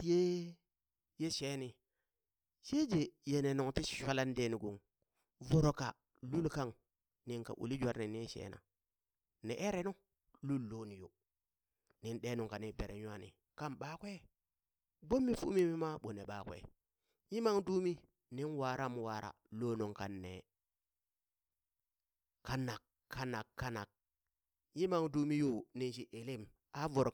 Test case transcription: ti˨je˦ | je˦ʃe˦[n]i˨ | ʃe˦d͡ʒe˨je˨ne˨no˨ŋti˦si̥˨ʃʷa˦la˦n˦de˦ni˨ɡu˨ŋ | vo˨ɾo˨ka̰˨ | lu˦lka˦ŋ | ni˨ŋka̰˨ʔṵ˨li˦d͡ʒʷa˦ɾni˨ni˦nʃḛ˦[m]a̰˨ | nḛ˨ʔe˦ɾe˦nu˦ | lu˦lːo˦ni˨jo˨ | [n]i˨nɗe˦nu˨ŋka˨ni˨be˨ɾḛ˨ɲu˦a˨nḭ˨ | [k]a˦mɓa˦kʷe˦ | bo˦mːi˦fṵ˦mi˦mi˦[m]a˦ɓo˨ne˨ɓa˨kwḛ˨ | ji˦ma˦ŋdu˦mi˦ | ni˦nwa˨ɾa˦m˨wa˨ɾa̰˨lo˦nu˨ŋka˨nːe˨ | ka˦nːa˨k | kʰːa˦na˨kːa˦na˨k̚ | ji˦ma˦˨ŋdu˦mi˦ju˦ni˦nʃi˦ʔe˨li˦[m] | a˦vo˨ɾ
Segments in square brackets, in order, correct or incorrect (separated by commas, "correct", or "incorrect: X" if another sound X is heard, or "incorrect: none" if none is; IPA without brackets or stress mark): correct, incorrect: n, correct, correct, correct, correct